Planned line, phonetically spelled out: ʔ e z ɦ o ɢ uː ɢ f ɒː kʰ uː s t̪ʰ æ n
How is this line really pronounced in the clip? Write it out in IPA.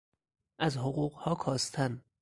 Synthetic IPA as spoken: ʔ æ z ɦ o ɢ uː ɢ h ɒː kʰ ɒː s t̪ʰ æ n

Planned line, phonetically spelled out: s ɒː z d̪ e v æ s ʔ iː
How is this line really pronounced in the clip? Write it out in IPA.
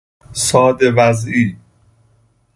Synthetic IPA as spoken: s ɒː d̪ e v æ z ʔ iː

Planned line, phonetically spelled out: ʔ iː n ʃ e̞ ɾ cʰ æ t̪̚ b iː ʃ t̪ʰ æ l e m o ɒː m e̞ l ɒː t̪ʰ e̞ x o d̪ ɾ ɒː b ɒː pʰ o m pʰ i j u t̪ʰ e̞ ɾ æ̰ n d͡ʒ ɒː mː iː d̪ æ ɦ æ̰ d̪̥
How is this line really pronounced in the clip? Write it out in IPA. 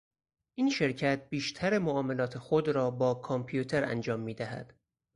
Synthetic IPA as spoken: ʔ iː n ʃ e̞ ɾ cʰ æ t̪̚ b iː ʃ t̪ʰ æ ɾ e m o ɒː m e̞ l ɒː t̪ʰ e̞ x o d̪ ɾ ɒː b ɒː kʰ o m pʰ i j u t̪ʰ e̞ ɾ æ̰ n d͡ʒ ɒː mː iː d̪ æ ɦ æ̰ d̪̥

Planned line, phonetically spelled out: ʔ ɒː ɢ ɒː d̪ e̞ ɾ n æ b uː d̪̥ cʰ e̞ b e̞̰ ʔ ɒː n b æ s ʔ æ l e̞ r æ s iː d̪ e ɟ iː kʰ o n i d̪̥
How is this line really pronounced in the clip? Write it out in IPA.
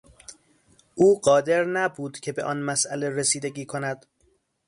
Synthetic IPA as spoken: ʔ uː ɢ ɒː d̪ e̞ ɾ n æ b uː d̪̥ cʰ e̞ b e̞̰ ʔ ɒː n m æ s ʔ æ l e̞ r e s iː d̪ e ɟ iː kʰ o n æ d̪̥

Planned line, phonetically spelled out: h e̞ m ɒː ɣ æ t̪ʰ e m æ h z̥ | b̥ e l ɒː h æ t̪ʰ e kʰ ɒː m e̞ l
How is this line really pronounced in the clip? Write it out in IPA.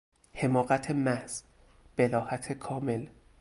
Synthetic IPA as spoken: h e̞ m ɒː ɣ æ t̪ʰ e m æ h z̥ | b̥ e l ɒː h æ t̪ʰ e kʰ ɒː m e̞ l

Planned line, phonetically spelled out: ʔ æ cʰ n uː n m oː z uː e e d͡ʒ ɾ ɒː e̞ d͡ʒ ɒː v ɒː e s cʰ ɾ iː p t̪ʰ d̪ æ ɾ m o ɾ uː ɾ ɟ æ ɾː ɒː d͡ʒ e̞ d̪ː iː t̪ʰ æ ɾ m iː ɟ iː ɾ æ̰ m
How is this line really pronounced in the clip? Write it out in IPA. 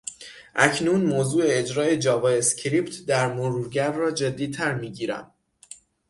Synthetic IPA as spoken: ʔ æ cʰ n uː n m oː z uː e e d͡ʒ ɾ ɒː e̞ d͡ʒ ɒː v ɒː e s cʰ ɾ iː p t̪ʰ d̪ æ ɾ m o ɾ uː ɾ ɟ æ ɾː ɒː d͡ʒ e̞ d̪ː iː t̪ʰ æ ɾ m iː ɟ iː ɾ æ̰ m

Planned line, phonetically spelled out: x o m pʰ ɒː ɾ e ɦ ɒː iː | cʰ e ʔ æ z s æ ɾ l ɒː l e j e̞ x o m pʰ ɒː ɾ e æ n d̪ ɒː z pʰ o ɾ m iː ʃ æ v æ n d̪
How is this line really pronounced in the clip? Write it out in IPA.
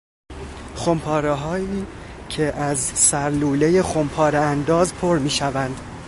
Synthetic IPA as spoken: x o m pʰ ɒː ɾ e ɦ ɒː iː | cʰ e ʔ æ z s æ ɾ l uː l e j e̞ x o m pʰ ɒː ɾ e æ n d̪ ɒː z pʰ o ɾ m iː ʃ æ v æ n d̪

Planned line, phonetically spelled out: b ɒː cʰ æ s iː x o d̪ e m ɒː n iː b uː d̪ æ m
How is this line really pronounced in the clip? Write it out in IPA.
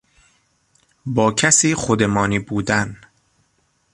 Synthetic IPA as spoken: b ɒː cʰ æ s iː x o d̪ e m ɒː n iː b uː d̪ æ n

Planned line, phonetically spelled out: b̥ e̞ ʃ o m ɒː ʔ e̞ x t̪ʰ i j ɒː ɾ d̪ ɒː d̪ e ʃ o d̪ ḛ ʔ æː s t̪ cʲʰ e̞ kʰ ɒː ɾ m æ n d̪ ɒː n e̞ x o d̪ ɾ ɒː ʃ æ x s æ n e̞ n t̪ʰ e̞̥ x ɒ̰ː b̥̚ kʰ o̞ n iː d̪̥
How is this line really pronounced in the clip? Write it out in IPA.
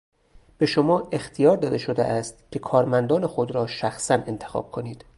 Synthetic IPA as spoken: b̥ e̞ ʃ o m ɒː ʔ e̞ x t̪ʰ i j ɒː ɾ d̪ ɒː d̪ e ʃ o d̪ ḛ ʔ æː s t̪ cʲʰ e̞ kʰ ɒː ɾ m æ n d̪ ɒː n e̞ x o d̪ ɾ ɒː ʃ æ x s æ n e̞ n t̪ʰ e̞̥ x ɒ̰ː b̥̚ kʰ o̞ n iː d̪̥

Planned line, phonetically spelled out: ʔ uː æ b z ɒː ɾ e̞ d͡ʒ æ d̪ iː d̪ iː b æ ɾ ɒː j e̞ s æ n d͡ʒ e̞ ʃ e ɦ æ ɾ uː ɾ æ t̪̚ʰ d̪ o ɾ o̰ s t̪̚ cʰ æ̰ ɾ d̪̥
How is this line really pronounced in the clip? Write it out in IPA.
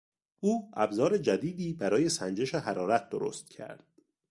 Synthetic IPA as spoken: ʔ uː æ b z ɒː ɾ e̞ d͡ʒ æ d̪ iː d̪ iː b æ ɾ ɒː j e̞ s æ n d͡ʒ e̞ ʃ e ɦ æ ɾ ɒː ɾ æ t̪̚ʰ d̪ o ɾ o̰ s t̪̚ cʰ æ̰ ɾ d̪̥

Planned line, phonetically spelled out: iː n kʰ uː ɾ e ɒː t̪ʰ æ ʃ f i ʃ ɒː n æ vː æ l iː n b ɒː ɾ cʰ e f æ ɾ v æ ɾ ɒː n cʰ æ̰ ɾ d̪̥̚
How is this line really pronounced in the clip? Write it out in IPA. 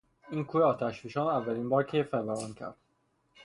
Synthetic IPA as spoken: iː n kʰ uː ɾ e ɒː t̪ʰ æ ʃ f i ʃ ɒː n æ vː æ l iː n b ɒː ɾ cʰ e f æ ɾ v æ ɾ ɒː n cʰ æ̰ ɾ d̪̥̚

